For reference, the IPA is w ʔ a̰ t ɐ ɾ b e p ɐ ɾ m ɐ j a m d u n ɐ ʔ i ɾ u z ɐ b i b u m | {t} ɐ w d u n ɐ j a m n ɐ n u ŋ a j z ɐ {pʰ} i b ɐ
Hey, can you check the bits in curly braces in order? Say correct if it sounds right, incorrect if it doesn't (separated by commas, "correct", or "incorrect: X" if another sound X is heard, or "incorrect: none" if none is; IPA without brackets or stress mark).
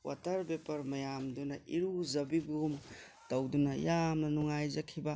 correct, incorrect: kʰ